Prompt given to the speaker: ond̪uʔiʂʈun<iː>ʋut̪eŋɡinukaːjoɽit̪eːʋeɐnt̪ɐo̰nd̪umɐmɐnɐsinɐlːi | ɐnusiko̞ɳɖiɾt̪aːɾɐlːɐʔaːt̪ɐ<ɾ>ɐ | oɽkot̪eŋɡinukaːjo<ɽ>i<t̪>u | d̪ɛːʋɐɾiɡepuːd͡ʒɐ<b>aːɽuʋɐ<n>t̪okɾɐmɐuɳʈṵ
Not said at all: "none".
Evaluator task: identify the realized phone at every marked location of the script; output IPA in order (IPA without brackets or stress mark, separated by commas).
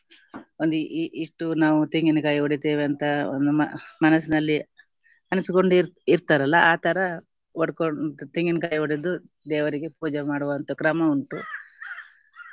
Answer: aː, ɾ, ɽ, d̪, m, n